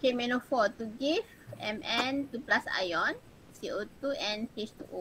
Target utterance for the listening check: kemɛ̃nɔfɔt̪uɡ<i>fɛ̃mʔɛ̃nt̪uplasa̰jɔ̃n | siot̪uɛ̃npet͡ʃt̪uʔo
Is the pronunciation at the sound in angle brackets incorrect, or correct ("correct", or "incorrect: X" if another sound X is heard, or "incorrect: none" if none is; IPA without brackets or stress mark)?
correct